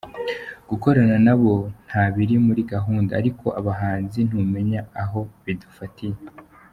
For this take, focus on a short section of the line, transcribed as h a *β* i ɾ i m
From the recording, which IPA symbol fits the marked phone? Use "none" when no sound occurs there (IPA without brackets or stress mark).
β